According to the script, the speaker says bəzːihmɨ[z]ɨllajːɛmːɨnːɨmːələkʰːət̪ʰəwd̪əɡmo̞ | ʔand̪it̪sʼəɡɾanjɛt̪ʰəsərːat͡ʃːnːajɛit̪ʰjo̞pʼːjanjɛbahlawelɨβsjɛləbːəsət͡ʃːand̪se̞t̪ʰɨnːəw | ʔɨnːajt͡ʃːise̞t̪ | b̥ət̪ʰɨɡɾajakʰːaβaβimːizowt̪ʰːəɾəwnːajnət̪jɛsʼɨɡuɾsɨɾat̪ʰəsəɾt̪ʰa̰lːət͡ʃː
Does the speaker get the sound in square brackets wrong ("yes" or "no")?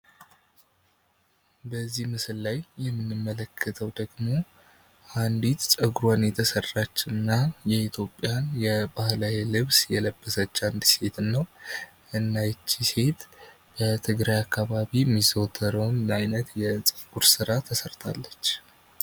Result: yes